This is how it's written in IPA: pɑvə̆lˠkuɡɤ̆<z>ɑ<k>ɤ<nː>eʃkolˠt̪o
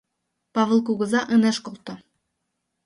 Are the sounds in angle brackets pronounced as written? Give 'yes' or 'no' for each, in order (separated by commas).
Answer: yes, no, no